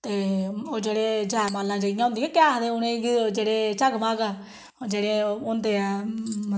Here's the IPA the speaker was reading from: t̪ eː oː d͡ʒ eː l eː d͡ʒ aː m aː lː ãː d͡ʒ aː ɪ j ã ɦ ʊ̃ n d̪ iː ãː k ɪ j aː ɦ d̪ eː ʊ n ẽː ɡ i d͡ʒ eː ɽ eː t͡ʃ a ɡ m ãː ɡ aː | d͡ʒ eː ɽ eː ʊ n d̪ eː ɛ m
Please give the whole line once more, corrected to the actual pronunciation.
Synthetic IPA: t̪ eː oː d͡ʒ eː ɽ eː d͡ʒ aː m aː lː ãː d͡ʒ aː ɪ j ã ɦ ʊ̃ n d̪ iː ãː k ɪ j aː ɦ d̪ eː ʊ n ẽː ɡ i d͡ʒ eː ɽ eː t͡ʃ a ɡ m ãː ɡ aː | d͡ʒ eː ɽ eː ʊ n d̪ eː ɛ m